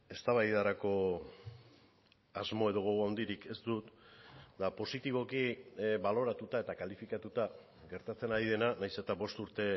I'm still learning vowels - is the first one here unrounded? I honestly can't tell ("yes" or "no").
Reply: yes